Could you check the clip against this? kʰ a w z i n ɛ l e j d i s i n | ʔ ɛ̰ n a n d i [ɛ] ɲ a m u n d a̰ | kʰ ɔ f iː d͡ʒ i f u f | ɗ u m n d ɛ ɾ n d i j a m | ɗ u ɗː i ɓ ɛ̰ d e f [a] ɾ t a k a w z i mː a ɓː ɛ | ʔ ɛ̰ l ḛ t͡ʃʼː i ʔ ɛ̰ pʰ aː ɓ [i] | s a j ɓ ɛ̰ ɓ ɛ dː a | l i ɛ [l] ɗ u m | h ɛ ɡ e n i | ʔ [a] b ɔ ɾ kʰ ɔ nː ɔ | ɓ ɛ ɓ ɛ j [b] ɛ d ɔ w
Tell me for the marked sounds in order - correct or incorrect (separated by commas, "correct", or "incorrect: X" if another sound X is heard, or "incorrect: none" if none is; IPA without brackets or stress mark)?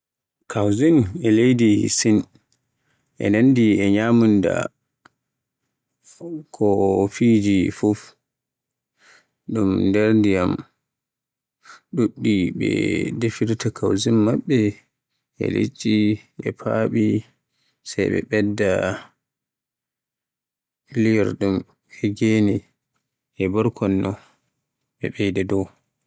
correct, incorrect: i, correct, incorrect: ɾ, incorrect: ɛ, incorrect: d